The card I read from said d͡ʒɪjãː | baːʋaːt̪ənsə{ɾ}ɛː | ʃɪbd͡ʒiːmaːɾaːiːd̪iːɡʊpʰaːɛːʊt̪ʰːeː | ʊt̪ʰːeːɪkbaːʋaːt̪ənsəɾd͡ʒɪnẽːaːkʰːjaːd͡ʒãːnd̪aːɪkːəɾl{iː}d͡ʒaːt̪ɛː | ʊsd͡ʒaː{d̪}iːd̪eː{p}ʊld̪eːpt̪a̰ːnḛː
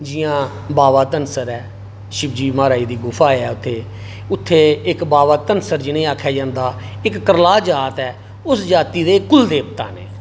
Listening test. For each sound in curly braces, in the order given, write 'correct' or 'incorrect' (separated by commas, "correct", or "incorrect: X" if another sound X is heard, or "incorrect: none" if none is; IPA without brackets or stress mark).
correct, incorrect: aː, incorrect: t̪, incorrect: k